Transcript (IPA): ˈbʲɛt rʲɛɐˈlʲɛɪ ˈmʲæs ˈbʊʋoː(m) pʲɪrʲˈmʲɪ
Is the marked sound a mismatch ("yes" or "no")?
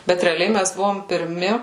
no